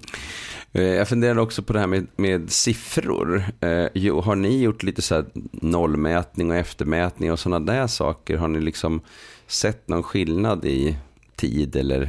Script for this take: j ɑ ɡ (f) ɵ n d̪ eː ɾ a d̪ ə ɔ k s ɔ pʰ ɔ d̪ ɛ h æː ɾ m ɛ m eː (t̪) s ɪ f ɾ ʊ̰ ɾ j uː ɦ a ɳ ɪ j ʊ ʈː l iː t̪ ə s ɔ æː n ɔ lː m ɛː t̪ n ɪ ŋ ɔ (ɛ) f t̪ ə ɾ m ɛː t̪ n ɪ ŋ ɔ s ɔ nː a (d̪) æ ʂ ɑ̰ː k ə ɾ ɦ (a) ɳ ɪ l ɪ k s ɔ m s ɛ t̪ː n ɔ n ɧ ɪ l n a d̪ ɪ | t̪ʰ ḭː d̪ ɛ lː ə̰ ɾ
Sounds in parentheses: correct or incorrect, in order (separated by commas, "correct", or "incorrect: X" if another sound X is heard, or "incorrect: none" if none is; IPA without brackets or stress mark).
correct, incorrect: d̪, correct, correct, correct